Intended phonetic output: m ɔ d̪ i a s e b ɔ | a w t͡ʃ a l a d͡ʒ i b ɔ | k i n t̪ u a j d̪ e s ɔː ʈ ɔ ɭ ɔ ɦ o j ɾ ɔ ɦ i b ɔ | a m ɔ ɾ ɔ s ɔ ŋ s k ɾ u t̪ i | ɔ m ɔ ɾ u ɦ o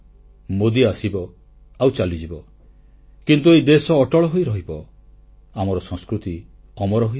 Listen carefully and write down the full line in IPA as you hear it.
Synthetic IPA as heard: m o d̪ i a s i b ɔ | a w t͡ʃ a l i d͡ʒ i b ɔ | k i n t̪ u e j d̪ e s ɔː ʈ ɔ ɭ ɔ ɦ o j ɾ ɔ ɦ i b ɔ | a m ɔ ɾ ɔ s ɔ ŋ s k ɾ u t̪ i | ɔ m ɔ ɾ ɔ ɦ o